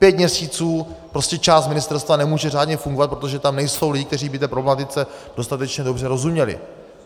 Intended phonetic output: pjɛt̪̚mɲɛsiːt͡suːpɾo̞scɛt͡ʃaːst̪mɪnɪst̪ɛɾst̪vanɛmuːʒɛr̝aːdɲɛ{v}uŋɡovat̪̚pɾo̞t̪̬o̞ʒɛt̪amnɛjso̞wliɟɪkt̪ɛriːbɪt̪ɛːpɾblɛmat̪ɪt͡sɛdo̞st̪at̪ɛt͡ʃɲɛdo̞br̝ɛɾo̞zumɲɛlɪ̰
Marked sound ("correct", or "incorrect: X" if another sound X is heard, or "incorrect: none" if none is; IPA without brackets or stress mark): incorrect: f